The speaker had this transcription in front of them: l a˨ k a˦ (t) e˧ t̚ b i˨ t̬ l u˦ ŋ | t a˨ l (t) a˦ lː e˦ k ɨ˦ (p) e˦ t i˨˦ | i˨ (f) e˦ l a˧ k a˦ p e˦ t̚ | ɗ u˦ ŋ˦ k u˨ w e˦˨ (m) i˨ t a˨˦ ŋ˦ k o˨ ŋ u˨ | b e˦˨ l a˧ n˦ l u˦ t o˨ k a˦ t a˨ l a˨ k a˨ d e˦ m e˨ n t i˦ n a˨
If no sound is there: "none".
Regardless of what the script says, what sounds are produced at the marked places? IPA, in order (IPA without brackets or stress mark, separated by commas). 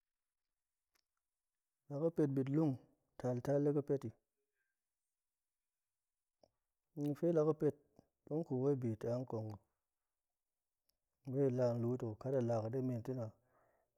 p, t, p, f, b